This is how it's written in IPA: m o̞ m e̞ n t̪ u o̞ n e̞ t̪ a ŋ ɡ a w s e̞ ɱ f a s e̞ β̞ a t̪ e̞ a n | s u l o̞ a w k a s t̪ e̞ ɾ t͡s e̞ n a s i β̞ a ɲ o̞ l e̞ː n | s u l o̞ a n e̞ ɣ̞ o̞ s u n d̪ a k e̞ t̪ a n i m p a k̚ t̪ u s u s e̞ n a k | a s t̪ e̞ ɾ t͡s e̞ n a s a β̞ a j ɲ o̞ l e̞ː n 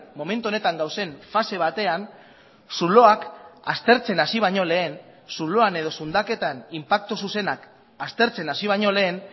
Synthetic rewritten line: m o̞ m e̞ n t̪ u o̞ n e̞ t̪ a ŋ ɡ a w s e̞ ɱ f a s e̞ β̞ a t̪ e̞ a n | s u l o̞ a k a s t̪ e̞ ɾ t͡s e̞ n a s i β̞ a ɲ o̞ l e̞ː n | s u l o̞ a n e̞ ð̞ o̞ s u n d̪ a k e̞ t̪ a n i m p a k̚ t̪ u s u s e̞ n a k | a s t̪ e̞ ɾ t͡s e̞ n a s i β̞ a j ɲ o̞ l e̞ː n